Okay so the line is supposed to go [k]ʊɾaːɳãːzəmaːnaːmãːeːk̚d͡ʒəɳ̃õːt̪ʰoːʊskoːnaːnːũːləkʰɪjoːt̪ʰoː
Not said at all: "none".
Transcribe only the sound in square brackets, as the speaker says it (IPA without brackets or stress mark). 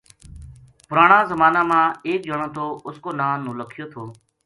p